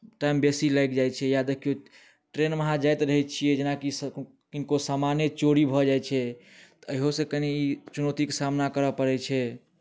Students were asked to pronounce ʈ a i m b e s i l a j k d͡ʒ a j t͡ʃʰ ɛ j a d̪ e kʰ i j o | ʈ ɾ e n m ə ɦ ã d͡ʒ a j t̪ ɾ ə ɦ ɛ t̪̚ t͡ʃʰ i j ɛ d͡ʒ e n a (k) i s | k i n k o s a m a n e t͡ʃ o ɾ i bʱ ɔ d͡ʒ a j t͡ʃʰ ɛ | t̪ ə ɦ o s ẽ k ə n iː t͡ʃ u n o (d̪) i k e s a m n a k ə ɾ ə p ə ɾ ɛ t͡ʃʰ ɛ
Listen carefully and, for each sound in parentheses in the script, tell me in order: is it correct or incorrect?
correct, incorrect: t̪

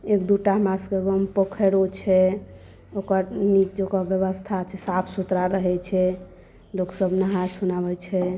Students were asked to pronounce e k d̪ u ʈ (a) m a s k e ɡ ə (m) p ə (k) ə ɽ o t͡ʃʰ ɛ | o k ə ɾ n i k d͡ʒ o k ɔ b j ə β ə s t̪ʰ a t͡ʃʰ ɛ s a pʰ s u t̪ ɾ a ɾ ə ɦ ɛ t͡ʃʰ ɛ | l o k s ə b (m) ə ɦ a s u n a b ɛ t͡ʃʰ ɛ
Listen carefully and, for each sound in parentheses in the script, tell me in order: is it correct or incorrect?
correct, correct, incorrect: kʰ, incorrect: n

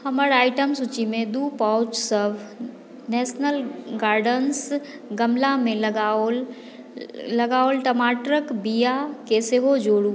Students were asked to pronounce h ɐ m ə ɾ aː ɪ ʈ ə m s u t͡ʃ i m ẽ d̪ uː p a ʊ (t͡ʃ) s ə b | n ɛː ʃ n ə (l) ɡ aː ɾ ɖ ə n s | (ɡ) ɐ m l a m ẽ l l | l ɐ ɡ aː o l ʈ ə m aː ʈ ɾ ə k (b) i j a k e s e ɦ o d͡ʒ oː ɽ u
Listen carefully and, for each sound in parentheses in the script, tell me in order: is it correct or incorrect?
correct, correct, correct, correct

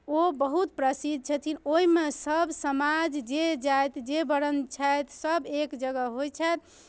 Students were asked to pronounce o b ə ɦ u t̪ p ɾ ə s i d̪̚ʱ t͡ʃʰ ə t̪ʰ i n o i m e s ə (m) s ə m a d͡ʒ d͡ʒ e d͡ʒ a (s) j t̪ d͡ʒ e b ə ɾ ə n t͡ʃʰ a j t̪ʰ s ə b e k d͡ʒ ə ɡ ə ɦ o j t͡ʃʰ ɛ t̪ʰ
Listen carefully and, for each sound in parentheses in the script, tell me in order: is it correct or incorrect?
incorrect: b, incorrect: none

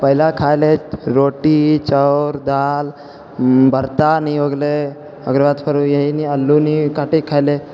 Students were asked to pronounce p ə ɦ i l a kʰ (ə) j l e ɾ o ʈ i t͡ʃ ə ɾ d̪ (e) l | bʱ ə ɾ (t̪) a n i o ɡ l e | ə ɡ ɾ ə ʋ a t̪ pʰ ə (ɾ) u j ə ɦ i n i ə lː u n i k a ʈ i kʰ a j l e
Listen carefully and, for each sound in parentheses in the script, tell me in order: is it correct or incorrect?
incorrect: a, incorrect: a, correct, correct

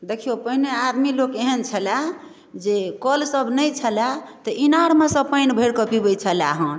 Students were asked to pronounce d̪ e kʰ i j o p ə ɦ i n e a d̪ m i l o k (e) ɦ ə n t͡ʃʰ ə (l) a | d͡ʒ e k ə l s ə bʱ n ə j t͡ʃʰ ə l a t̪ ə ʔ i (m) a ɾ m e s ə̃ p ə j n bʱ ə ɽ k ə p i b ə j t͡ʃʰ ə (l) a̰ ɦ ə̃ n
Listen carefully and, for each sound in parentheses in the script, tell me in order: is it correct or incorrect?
correct, correct, incorrect: n, correct

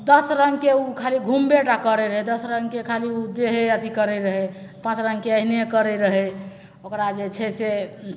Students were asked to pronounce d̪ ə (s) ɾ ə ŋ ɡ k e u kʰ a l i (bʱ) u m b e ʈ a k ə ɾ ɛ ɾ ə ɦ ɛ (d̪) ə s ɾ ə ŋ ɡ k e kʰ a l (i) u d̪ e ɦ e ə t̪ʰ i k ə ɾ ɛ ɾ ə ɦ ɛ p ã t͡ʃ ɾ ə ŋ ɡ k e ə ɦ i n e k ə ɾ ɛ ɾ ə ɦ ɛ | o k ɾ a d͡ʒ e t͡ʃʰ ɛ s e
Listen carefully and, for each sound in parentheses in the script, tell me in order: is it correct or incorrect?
correct, incorrect: ɡʱ, correct, correct

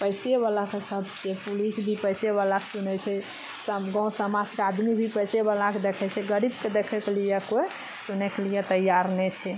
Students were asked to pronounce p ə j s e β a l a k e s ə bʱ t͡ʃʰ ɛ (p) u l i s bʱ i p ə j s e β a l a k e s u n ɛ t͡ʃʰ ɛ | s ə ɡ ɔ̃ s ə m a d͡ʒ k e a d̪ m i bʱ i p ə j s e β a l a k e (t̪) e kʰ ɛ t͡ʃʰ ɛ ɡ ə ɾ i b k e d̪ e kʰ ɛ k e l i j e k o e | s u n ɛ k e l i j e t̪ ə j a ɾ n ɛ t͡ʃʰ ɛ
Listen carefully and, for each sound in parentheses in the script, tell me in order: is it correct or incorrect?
correct, incorrect: d̪

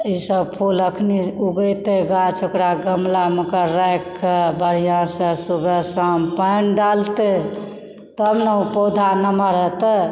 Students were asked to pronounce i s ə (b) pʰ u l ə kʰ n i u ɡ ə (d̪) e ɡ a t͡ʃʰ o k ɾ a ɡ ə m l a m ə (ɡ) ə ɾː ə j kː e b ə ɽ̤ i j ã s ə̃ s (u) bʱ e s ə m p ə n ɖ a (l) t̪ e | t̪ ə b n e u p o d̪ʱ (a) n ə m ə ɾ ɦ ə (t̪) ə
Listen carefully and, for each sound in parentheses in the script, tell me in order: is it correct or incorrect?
correct, incorrect: t̪, incorrect: k, correct, correct, correct, correct

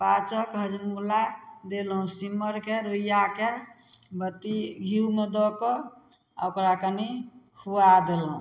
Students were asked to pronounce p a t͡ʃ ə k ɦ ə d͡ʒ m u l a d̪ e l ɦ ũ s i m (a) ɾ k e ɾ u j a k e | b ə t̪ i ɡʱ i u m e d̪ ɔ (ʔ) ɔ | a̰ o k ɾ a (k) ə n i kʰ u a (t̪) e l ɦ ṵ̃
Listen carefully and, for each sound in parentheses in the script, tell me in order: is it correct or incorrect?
incorrect: ə, incorrect: k, correct, incorrect: d̪

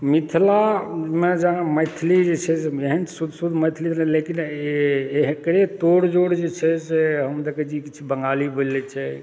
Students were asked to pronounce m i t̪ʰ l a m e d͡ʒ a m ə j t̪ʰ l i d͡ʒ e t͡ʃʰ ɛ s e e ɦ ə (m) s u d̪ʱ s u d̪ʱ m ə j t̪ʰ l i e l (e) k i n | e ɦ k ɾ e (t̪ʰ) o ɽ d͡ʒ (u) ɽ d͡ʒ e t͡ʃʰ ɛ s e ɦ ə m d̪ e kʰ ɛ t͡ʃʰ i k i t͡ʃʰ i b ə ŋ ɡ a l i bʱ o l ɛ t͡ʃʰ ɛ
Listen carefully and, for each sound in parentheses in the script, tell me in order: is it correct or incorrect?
incorrect: n, correct, incorrect: t̪, incorrect: o

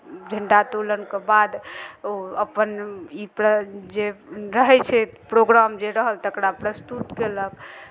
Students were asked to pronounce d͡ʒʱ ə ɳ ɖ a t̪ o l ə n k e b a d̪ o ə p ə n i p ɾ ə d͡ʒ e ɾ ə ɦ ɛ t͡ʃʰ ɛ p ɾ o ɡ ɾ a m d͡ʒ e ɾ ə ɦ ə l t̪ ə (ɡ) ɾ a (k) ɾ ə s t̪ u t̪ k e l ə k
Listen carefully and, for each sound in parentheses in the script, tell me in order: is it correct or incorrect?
incorrect: k, incorrect: p

